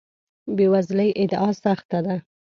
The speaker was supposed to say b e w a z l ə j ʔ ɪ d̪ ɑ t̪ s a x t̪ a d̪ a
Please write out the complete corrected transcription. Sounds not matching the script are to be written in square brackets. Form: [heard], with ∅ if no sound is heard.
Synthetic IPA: b e w a z l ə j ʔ ɪ d̪ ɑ [∅] s a x t̪ a d̪ a